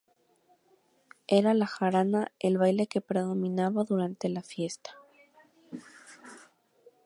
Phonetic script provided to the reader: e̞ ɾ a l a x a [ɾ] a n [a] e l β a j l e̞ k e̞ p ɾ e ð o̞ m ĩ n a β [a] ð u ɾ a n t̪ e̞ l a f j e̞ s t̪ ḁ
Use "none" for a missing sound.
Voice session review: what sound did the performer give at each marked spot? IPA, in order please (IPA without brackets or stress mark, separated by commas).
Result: ɾ, a, a